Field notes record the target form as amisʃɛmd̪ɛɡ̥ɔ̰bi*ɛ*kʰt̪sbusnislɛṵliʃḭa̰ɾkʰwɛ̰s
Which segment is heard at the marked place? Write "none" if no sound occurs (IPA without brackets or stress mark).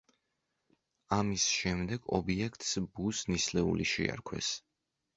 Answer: ɛ